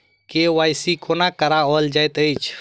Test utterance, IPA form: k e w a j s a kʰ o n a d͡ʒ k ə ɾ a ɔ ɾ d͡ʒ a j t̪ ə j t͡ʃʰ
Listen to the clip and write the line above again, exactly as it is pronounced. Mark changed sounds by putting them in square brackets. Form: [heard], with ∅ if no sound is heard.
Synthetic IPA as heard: k e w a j s [i] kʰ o n a [∅] k ə ɾ a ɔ [l] d͡ʒ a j t̪ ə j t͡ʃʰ